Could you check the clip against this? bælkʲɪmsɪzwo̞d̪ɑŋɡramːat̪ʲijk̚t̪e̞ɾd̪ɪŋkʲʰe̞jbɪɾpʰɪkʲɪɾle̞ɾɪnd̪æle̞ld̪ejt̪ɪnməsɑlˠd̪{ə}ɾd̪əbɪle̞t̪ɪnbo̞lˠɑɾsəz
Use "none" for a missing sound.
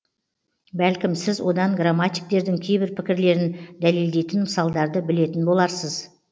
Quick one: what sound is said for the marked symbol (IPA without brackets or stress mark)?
ɑ